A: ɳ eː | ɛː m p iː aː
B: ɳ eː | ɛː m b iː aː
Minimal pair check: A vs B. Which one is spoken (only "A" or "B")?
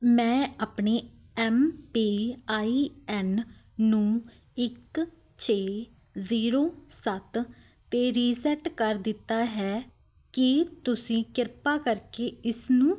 A